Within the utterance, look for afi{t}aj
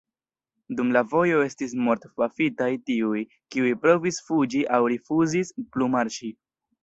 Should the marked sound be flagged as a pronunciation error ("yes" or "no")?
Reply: no